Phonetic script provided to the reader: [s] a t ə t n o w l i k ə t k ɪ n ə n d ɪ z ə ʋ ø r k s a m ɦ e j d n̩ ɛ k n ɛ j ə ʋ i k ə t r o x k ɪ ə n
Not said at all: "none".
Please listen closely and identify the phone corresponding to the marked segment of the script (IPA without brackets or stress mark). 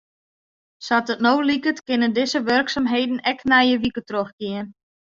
s